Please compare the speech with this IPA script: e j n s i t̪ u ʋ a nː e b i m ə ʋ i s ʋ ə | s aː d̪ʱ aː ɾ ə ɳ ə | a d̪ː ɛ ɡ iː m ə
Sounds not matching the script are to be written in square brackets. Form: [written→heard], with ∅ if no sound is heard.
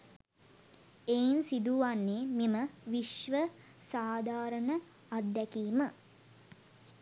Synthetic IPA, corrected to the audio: e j n s i [t̪→d̪] u ʋ a nː e [b→m] i m ə ʋ i [s→ʃ] ʋ ə | s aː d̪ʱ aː ɾ ə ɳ ə | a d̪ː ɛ [ɡ→k] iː m ə